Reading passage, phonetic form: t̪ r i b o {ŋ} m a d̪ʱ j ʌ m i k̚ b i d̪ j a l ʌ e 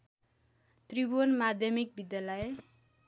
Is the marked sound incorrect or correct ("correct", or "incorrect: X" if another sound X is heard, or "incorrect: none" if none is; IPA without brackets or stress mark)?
incorrect: n